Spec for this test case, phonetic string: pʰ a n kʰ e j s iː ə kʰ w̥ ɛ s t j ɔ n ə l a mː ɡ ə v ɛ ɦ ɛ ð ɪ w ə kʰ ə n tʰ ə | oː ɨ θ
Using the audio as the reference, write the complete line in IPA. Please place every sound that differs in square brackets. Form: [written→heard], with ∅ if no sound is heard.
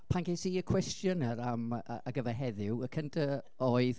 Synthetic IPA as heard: pʰ a n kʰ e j s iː ə kʰ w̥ ɛ s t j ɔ n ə [l→ɾ] a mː ɡ ə v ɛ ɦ ɛ ð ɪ w ə kʰ ə n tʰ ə | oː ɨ [θ→ð]